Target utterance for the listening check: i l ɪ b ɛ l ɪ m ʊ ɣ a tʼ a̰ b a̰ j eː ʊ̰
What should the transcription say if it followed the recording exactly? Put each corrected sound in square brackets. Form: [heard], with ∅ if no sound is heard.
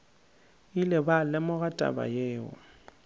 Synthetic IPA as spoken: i l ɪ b [a] l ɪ m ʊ ɣ a tʼ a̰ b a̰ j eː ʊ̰